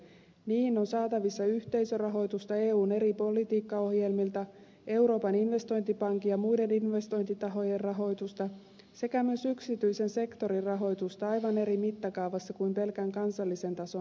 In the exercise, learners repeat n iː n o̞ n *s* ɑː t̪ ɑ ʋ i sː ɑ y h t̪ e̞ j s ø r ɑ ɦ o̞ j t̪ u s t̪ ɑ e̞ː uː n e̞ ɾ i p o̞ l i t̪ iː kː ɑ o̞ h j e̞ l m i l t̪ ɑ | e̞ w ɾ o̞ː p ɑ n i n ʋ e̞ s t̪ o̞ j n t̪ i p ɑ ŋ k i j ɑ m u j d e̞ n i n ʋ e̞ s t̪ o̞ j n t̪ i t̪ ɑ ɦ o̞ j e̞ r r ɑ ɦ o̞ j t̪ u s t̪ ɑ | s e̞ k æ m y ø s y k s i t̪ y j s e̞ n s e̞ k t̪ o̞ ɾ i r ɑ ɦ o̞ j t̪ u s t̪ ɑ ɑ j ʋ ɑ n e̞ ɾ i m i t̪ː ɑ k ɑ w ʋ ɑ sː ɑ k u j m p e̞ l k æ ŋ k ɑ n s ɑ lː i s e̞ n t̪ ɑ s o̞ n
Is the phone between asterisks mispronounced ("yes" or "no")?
no